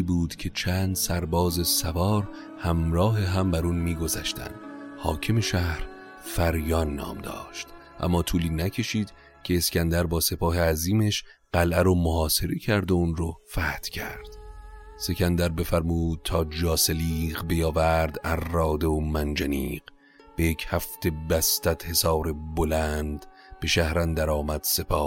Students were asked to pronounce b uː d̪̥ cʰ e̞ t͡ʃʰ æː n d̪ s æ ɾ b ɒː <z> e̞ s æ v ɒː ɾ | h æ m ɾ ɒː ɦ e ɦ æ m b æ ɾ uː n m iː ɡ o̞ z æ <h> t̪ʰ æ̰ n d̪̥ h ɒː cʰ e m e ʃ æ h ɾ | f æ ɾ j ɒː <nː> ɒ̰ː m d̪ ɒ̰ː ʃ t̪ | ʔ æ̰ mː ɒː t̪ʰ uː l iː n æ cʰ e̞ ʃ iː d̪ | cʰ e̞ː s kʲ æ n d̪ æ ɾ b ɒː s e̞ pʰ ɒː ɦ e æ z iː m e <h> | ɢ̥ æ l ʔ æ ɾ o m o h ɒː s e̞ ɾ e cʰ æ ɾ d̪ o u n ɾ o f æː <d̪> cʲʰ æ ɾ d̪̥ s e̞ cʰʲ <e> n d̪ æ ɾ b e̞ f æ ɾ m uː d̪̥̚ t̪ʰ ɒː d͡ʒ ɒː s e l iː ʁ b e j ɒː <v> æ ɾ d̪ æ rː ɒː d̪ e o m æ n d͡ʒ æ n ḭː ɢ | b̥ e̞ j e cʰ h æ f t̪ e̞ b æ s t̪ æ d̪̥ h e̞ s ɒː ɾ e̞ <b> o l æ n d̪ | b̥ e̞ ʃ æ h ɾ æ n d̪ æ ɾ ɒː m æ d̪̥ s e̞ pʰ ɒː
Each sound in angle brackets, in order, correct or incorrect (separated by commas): correct, incorrect, correct, incorrect, incorrect, incorrect, correct, correct